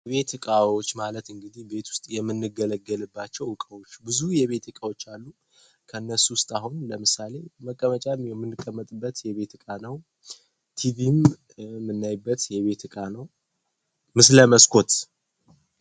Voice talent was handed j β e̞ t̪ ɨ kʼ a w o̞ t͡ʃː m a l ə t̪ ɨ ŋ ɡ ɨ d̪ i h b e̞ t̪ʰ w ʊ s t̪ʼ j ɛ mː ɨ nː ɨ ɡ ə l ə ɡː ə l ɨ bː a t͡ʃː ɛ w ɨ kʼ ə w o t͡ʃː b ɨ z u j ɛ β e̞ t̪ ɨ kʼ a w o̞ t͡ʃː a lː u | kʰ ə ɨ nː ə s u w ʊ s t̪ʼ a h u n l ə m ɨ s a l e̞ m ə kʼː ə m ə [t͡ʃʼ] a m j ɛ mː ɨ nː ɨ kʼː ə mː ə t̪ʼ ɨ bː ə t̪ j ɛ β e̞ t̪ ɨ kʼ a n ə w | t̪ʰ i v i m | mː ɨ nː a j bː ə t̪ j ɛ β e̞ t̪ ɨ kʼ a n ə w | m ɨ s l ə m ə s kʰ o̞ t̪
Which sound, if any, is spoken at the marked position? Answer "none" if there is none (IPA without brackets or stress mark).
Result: t͡ʃʼ